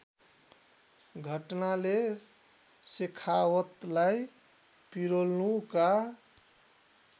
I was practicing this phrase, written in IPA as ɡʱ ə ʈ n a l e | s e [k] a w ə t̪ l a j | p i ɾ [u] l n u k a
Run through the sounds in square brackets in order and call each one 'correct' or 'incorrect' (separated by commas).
incorrect, incorrect